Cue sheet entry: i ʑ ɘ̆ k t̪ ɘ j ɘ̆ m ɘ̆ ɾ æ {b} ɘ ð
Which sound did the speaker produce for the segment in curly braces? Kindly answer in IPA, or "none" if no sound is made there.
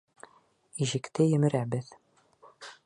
b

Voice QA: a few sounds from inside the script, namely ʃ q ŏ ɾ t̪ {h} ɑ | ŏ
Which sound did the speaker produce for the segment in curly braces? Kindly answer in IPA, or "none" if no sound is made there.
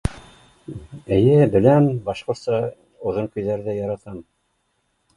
s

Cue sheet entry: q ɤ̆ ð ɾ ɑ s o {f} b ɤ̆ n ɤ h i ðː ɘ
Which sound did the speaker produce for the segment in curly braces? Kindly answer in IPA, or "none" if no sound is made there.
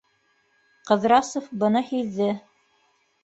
f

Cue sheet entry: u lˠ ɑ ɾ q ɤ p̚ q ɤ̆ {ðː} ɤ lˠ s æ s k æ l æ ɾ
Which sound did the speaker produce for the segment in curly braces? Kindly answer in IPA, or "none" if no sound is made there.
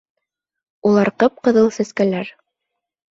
ð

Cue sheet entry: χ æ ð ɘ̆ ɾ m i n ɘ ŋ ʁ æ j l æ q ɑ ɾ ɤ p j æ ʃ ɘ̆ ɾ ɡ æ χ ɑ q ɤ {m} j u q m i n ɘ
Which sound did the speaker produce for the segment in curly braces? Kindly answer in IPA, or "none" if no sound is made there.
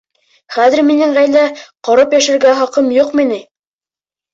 m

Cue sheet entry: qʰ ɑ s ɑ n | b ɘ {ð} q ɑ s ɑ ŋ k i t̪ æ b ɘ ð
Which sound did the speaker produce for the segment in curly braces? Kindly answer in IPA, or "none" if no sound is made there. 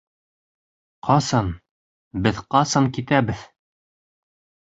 ð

